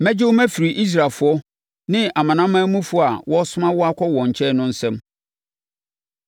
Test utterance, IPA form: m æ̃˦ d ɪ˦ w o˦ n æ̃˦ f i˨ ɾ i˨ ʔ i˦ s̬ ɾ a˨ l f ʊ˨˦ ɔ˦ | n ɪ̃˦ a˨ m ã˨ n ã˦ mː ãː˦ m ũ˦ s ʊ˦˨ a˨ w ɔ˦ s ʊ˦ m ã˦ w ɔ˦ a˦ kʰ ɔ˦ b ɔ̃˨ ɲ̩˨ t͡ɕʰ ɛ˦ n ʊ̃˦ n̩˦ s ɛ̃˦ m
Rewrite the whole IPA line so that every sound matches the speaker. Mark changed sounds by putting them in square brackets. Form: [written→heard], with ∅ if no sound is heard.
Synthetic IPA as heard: m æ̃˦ [d→d͡ʑ] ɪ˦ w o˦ [n→m] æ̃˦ f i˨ ɾ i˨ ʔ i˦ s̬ ɾ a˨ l f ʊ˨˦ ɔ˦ | n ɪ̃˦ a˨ m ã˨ n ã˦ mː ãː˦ m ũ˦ [s→f] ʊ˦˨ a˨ w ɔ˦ s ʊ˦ m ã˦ w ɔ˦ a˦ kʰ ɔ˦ [b→w] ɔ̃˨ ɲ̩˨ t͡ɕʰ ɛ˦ n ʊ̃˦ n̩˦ s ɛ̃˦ m